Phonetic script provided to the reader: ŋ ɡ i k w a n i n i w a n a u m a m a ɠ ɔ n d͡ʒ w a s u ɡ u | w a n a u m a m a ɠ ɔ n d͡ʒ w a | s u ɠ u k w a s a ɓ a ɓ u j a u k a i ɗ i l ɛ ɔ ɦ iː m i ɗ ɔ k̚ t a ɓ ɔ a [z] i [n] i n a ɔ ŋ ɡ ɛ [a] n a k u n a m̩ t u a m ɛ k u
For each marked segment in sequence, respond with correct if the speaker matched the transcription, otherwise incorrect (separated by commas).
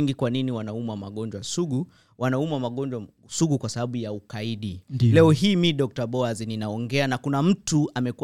correct, correct, correct